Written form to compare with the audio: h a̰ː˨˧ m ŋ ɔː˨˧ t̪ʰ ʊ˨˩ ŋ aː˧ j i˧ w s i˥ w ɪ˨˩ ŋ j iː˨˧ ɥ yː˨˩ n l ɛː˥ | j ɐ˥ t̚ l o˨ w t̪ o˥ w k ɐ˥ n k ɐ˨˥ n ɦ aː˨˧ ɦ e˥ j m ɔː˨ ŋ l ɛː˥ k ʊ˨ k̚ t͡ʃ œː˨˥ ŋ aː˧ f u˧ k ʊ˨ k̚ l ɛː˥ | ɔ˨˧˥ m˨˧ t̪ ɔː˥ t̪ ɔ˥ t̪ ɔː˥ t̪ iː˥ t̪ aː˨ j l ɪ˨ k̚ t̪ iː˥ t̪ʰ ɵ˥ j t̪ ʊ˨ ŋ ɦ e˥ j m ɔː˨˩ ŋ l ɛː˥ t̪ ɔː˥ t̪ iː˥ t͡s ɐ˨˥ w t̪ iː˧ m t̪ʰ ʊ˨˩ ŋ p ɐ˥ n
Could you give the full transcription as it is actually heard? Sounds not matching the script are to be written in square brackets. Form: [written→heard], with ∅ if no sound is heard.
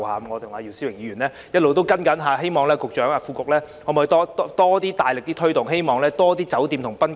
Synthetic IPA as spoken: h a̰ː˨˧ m ŋ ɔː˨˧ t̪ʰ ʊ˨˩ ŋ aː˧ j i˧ w s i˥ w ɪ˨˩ ŋ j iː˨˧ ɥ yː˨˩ n l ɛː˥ | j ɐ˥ t̚ l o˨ w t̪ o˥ w k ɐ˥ n k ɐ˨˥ n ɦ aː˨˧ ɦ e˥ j m ɔː˨ ŋ l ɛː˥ k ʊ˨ k̚ t͡ʃ œː˨˥ ŋ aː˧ f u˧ k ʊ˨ k̚ l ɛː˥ | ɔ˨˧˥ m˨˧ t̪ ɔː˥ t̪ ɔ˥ t̪ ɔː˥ t̪ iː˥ t̪ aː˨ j l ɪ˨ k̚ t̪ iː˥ t̪ʰ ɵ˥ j t̪ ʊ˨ ŋ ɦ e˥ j m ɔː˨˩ ŋ l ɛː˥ t̪ ɔː˥ t̪ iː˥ t͡s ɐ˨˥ w t̪ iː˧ m t̪ʰ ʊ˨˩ ŋ p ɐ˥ n